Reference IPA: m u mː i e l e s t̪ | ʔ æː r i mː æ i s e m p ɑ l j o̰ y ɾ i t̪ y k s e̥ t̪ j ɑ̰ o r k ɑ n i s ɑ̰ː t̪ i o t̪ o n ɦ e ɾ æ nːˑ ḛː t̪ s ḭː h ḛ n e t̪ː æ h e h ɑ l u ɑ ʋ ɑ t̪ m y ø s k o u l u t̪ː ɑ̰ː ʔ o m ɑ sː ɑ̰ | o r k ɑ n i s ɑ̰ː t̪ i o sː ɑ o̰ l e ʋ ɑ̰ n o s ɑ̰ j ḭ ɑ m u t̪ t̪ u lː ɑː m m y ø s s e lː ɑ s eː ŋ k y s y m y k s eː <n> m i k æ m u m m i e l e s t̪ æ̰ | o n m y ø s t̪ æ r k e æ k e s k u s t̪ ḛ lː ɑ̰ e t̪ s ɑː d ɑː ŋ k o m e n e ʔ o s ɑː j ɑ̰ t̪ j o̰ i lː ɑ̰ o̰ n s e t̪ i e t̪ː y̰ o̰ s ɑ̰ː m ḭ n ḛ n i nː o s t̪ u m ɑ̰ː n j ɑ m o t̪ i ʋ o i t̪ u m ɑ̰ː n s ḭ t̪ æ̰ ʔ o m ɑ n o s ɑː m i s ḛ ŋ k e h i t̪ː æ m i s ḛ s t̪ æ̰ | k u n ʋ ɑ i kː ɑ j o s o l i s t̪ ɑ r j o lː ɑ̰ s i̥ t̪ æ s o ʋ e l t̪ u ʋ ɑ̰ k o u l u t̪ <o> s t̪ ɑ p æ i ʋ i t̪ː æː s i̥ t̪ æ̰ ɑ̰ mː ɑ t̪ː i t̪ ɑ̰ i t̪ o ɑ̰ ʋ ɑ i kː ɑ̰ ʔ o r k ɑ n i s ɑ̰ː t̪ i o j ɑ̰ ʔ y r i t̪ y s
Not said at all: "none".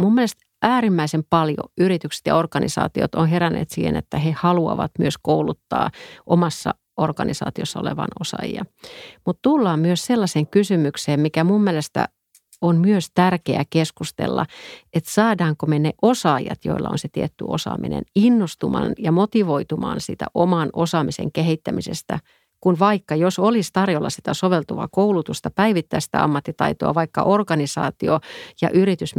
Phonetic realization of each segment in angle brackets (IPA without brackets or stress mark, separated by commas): m, u